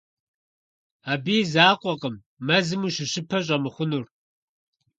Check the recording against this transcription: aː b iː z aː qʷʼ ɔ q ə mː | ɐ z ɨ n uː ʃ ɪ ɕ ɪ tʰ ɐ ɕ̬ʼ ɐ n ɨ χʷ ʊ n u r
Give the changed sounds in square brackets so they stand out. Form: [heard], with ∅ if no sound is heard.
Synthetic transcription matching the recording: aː b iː z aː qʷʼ ɔ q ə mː | ɐ z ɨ [m] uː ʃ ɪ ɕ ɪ [pʰ] ɐ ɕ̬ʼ ɐ [m] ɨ χʷ ʊ n u r